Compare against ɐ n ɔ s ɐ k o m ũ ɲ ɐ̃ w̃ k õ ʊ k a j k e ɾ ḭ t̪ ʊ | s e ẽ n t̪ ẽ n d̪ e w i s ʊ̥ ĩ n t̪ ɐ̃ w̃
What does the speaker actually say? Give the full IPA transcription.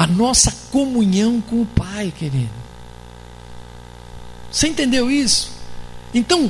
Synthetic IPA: ɐ n ɔ s ɐ k o m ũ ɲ ɐ̃ w̃ k õ ʊ p a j k e ɾ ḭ d̪ ʊ | s e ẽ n t̪ ẽ n d̪ e w i s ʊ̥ ẽ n t̪ ɐ̃ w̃